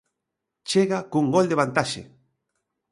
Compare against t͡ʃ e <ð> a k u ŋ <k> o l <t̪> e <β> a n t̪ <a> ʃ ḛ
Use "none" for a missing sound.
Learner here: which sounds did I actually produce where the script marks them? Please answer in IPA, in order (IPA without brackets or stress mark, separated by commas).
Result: ɣ, ɡ, d̪, β, a